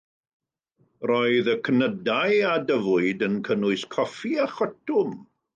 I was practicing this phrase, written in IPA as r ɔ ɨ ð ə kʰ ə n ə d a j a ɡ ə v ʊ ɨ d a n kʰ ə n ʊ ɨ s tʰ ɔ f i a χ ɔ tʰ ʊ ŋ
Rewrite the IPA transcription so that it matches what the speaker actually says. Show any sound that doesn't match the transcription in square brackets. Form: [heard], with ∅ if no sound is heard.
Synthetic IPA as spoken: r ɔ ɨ ð ə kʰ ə n ə d a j a [d] ə v ʊ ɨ d [ə] n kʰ ə n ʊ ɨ s [kʰ] ɔ f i a χ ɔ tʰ ʊ [m]